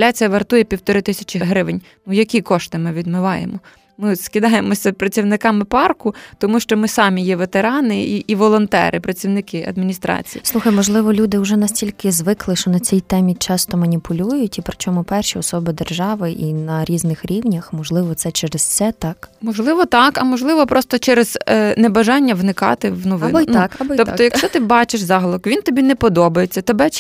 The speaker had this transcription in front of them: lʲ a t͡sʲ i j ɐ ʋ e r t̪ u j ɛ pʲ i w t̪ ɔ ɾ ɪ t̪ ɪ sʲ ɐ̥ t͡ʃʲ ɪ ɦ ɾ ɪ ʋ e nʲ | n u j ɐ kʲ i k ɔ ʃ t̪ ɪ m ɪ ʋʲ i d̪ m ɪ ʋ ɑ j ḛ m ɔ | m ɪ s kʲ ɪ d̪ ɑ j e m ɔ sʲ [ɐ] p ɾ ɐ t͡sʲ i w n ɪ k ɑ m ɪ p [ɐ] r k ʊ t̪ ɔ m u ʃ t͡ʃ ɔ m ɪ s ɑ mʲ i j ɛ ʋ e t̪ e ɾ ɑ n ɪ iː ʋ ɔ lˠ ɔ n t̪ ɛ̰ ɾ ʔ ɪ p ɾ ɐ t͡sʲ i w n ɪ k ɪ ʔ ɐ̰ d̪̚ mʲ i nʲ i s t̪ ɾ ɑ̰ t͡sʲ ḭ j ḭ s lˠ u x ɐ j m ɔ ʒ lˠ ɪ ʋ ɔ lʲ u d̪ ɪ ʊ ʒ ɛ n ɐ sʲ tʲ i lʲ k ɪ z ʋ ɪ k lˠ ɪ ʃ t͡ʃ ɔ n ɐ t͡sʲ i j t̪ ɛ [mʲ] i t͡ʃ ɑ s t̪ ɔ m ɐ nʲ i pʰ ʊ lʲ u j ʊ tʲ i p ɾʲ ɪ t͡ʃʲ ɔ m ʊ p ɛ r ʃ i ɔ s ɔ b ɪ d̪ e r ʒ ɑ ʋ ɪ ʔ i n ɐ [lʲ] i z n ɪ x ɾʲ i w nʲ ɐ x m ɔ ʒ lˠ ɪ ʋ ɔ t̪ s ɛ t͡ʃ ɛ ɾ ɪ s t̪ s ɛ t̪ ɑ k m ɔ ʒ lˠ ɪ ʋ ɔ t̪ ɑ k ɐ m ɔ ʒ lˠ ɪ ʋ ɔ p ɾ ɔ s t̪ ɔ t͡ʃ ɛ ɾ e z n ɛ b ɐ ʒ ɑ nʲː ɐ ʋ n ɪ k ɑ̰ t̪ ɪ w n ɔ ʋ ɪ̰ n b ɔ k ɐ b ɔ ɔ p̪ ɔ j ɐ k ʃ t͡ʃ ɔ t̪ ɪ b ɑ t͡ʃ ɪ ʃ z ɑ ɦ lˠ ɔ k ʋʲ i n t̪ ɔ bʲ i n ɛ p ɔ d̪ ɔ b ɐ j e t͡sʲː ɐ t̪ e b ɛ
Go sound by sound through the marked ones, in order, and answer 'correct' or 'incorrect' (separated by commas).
correct, incorrect, correct, incorrect